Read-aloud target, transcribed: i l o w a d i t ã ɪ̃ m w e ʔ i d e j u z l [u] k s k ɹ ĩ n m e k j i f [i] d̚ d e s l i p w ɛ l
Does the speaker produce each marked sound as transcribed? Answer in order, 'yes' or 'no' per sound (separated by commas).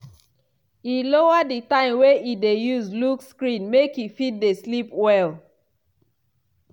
yes, yes